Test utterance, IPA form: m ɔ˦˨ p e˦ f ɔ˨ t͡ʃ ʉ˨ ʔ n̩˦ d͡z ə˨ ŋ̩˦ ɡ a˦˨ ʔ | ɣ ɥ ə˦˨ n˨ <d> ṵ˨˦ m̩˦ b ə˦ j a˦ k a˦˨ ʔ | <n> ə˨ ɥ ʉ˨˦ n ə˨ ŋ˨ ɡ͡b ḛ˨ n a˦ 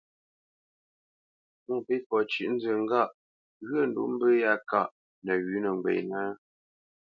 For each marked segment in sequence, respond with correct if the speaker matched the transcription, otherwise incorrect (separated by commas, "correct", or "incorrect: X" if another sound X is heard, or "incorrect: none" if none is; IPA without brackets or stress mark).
correct, correct